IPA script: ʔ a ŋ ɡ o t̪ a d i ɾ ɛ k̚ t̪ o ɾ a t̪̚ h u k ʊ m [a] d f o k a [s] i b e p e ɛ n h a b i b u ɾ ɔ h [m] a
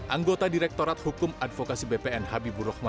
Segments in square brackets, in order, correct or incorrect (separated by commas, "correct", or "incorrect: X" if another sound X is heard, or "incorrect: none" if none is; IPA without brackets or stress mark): correct, correct, correct